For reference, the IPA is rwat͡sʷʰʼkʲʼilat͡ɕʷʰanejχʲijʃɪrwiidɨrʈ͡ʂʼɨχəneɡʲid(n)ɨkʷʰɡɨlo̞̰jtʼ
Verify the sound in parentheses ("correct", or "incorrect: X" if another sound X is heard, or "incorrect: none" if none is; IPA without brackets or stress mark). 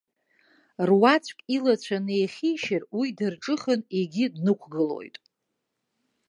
correct